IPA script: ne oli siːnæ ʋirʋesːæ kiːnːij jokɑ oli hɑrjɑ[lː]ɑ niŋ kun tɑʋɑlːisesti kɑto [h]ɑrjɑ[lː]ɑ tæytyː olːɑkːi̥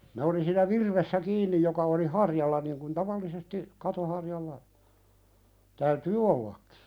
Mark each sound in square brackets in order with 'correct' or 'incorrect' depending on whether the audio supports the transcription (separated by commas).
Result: correct, correct, correct